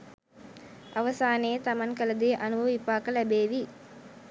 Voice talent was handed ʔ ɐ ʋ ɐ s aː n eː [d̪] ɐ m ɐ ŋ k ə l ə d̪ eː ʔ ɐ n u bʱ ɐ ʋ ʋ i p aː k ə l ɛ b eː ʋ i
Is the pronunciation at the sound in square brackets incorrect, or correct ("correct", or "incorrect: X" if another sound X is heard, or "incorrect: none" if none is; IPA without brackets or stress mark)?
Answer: incorrect: t̪